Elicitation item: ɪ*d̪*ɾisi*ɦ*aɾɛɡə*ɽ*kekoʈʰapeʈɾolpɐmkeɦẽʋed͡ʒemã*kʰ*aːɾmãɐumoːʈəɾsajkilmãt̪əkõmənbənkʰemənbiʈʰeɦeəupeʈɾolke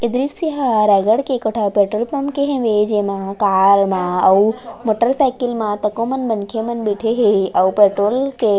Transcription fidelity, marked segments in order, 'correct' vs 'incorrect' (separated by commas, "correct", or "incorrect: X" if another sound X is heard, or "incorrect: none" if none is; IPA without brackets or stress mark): correct, correct, correct, incorrect: k